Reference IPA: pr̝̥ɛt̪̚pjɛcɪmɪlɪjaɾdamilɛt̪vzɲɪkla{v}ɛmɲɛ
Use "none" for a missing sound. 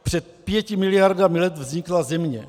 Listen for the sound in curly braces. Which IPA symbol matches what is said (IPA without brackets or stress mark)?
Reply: z